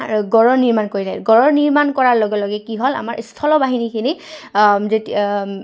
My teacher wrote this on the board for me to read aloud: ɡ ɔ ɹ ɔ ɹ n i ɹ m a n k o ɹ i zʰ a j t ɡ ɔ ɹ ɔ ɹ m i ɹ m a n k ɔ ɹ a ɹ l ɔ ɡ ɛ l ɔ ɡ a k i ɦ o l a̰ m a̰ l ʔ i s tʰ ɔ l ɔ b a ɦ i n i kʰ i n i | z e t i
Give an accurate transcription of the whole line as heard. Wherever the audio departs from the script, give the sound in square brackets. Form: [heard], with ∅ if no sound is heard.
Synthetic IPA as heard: ɡ ɔ ɹ ɔ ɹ n i ɹ m a n k o ɹ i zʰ a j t ɡ ɔ ɹ ɔ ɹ [n] i ɹ m a n k ɔ ɹ a ɹ l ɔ ɡ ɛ l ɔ ɡ [ɛ] k i ɦ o l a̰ m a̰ [ɹ] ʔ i s tʰ ɔ l ɔ b a ɦ i n i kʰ i n i | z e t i

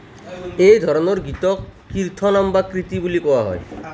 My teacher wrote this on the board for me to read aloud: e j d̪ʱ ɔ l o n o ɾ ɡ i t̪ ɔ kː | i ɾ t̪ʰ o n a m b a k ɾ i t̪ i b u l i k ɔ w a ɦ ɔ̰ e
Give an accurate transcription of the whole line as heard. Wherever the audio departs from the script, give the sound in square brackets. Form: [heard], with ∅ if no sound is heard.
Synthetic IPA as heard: e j d̪ʱ ɔ [ɾ] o n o ɾ ɡ i t̪ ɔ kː | i ɾ t̪ʰ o n a m b a k ɾ i t̪ i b u l i k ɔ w a ɦ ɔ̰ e

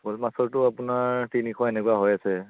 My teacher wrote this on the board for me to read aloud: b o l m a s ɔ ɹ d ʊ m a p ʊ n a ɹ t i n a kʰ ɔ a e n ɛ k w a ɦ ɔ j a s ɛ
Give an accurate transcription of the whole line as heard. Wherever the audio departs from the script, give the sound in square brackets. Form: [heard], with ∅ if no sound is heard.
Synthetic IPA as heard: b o l m a s ɔ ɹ [t] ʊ [∅] a p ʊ n a ɹ t i n [i] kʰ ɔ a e n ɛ k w a ɦ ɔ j a s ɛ

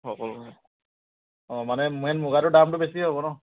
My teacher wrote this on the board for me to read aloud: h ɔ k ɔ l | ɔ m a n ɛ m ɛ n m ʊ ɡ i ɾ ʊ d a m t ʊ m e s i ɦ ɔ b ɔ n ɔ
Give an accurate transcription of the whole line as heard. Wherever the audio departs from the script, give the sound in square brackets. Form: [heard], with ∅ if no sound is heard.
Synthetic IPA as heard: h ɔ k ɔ l | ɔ m a n ɛ m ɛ n m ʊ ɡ [a] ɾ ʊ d a m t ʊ [b] e s i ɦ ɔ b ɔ n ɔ

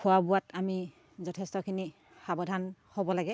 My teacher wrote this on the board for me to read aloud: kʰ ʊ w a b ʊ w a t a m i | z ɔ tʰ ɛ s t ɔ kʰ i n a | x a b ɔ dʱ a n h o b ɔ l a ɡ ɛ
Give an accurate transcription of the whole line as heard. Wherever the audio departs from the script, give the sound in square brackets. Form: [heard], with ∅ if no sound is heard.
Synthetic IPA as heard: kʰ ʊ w a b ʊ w a t a m i | z ɔ tʰ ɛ s t ɔ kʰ i n [i] | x a b ɔ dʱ a n h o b ɔ l a ɡ ɛ

